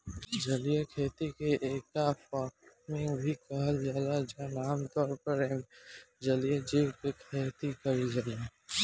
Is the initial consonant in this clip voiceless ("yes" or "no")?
no